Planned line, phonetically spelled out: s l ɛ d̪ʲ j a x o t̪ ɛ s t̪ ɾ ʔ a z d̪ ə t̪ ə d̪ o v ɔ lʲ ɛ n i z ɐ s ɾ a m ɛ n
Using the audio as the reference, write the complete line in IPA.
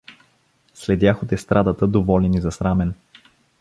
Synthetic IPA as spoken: s l ɛ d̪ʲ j a x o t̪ ɛ s t̪ ɾ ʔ a d̪ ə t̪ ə d̪ o v ɔ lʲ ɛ n i z ɐ s ɾ a m ɛ n